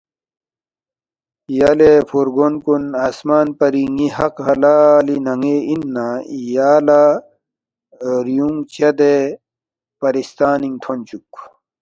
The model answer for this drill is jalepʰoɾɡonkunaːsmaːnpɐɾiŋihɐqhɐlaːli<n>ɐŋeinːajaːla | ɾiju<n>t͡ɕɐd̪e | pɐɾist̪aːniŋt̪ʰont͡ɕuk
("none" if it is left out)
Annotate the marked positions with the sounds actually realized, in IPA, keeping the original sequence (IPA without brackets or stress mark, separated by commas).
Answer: n, ŋ